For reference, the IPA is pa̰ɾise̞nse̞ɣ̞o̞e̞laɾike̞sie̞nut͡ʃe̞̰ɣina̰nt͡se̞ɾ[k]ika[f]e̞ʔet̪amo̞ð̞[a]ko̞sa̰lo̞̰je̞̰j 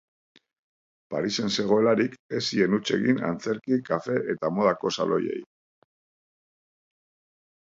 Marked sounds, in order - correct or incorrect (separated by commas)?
correct, correct, correct